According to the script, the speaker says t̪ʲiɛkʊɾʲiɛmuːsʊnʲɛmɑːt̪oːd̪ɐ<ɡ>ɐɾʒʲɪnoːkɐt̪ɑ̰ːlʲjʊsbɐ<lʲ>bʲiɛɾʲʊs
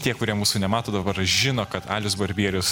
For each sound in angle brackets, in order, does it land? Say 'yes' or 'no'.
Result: no, no

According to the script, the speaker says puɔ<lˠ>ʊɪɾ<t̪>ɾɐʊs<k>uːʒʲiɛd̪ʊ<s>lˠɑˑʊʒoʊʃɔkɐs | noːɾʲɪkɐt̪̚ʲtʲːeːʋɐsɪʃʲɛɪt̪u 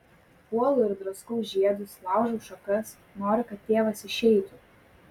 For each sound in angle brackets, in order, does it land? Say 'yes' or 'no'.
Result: yes, no, yes, yes

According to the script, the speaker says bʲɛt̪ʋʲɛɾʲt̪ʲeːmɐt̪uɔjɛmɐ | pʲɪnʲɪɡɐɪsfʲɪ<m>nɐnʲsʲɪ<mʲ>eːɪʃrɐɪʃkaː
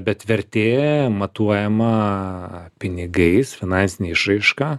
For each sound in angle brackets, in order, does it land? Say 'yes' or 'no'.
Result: no, no

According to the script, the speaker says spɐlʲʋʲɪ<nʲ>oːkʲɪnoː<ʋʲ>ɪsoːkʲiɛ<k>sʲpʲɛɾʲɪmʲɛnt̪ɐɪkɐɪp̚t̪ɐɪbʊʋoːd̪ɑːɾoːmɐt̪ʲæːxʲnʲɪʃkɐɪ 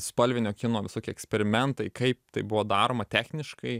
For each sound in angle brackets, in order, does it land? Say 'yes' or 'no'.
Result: yes, yes, yes

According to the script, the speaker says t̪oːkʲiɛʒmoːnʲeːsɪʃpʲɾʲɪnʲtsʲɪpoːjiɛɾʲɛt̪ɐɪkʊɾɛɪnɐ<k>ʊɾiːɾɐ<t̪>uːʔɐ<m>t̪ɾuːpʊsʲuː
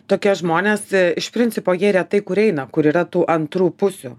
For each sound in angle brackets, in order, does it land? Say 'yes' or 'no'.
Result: yes, yes, no

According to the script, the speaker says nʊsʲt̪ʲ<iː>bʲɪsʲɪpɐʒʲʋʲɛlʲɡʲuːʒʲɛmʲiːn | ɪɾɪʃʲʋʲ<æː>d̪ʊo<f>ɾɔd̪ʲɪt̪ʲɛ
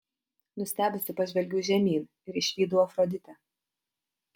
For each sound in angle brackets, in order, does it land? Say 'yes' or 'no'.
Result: no, no, yes

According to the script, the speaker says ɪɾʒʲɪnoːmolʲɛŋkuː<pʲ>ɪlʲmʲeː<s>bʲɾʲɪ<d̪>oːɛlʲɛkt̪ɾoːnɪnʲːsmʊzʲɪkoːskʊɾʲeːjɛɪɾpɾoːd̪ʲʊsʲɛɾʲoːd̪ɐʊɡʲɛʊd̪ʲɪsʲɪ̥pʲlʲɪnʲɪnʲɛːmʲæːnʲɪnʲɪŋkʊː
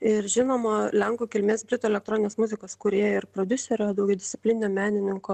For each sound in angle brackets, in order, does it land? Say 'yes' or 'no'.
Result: no, yes, no

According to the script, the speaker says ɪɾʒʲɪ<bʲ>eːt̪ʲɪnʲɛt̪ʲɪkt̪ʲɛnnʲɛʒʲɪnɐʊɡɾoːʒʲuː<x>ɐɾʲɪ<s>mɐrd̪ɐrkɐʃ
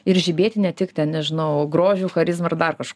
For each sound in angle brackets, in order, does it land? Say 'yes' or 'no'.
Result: yes, yes, no

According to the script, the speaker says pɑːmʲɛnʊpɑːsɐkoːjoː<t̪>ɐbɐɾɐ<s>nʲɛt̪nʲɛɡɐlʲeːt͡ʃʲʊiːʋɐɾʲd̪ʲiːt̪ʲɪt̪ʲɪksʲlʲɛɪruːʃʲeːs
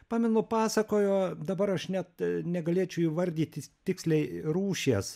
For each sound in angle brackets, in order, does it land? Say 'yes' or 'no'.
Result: no, no

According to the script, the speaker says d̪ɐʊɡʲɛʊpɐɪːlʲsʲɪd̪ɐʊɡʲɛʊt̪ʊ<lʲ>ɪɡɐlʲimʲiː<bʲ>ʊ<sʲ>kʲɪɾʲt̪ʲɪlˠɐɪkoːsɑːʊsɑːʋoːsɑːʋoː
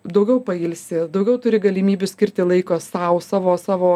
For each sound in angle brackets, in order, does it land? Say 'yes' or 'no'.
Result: no, yes, yes

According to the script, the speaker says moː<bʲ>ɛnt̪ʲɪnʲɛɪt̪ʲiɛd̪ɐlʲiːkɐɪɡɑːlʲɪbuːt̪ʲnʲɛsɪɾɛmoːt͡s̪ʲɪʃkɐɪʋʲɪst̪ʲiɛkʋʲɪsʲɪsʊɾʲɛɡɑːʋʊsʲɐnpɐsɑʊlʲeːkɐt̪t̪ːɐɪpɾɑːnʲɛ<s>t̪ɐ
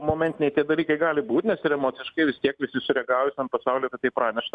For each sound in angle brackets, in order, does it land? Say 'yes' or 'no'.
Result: no, no

